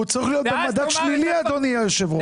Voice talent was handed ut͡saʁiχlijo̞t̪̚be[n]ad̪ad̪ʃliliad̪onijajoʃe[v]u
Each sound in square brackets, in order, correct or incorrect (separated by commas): incorrect, correct